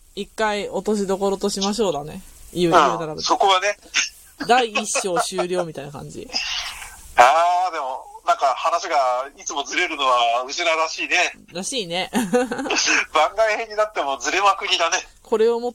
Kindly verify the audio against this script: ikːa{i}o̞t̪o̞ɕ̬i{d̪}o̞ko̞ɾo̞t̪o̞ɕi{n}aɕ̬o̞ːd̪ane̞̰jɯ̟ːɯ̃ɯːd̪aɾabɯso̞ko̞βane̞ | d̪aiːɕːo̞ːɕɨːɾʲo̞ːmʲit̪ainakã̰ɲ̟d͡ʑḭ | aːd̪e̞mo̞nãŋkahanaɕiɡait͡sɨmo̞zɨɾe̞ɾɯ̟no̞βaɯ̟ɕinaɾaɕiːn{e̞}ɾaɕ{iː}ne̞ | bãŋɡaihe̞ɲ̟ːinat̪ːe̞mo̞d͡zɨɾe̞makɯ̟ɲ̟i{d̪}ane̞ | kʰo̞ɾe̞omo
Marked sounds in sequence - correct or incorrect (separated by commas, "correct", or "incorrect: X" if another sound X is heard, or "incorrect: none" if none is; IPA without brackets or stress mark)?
correct, correct, incorrect: m, correct, correct, correct